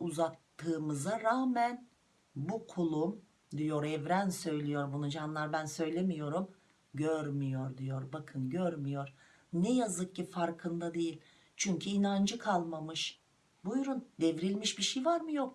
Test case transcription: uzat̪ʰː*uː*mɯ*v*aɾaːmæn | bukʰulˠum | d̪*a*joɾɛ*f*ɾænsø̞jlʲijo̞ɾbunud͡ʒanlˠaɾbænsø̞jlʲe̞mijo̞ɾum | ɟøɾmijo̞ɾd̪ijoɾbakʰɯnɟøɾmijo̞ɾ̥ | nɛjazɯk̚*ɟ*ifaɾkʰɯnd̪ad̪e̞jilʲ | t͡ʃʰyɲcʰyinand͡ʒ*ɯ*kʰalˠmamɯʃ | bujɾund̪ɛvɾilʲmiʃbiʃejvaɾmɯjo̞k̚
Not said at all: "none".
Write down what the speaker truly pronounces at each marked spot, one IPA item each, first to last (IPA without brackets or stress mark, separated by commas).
ɯː, z, i, v, c, ɯ